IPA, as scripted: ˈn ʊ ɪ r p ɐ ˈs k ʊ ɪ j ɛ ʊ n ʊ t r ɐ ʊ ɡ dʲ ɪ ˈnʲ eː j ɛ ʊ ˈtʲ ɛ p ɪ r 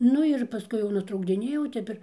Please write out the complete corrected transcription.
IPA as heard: ˈn ʊ ɪ r p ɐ ˈs k ʊ ɪ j ɛ ʊ n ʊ t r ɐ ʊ ɡ dʲ ɪ ˈnʲ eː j ɛ ʊ ˈtʲ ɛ p ɪ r